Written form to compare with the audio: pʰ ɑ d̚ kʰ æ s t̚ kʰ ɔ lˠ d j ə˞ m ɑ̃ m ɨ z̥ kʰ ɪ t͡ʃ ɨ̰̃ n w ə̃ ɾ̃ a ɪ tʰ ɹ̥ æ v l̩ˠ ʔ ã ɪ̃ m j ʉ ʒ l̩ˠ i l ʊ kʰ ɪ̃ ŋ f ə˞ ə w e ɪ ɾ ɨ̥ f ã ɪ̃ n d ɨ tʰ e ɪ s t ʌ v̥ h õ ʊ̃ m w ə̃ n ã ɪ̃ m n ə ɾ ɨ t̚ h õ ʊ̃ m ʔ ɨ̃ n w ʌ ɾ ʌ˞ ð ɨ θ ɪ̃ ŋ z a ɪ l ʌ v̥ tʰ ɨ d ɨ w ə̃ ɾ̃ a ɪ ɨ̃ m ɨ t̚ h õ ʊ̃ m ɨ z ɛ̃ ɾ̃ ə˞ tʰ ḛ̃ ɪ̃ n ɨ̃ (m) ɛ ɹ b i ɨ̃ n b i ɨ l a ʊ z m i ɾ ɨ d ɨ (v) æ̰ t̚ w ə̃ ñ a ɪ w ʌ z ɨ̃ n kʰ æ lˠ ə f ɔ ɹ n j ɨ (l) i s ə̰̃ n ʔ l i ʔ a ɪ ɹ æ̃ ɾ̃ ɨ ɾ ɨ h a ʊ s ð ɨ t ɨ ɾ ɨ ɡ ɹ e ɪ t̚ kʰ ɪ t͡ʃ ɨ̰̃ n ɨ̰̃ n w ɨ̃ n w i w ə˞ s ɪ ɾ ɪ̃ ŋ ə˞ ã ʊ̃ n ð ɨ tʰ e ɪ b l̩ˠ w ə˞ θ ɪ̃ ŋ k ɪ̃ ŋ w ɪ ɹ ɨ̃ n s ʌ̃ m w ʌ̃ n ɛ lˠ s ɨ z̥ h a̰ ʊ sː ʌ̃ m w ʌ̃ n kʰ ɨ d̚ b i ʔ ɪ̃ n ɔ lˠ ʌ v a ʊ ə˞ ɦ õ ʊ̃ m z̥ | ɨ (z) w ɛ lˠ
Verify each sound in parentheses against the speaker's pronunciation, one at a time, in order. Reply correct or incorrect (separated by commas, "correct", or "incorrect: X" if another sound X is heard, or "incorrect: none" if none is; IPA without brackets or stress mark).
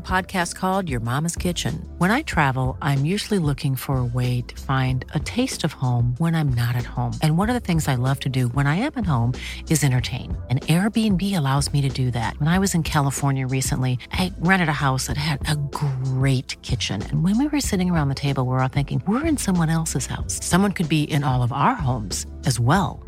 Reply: incorrect: n, incorrect: ð, incorrect: ɹ, correct